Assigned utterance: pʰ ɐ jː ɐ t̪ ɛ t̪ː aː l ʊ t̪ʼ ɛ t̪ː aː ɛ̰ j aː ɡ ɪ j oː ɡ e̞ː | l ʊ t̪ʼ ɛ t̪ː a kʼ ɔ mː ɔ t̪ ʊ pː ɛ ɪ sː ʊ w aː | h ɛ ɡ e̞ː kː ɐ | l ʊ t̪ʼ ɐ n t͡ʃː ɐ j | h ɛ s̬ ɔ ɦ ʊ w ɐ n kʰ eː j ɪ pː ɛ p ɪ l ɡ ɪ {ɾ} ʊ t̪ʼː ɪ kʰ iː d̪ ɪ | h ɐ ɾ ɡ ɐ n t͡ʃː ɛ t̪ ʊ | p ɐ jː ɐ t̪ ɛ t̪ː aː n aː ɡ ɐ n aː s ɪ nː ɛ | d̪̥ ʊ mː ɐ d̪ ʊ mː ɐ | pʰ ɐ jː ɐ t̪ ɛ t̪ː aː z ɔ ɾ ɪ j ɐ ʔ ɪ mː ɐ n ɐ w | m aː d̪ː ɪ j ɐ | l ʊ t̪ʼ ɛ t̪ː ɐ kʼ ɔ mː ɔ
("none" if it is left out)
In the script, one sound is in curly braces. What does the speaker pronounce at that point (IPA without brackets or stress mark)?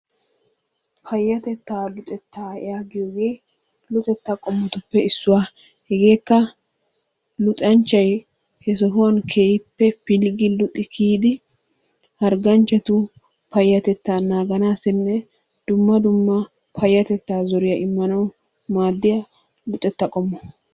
l